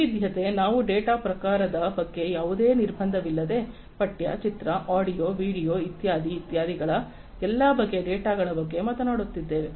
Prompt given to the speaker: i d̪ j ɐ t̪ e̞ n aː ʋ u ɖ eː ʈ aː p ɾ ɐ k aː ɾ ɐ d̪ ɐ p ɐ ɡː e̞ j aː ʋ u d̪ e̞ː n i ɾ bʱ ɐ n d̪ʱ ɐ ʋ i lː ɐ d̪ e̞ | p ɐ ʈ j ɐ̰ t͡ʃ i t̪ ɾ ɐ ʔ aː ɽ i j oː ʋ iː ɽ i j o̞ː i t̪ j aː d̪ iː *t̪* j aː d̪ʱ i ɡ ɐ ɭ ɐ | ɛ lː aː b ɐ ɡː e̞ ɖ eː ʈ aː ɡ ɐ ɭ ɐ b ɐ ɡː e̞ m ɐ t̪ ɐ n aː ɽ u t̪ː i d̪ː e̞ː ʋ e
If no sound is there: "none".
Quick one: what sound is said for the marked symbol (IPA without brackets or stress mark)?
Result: t̪